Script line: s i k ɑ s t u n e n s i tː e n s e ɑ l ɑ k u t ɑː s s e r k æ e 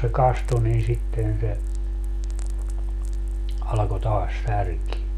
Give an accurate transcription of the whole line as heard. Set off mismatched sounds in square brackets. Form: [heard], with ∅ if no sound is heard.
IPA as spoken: s [e] k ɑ s t u n [i] n s i tː e n s e ɑ l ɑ k [o] t ɑː s s [æ] r k [i] e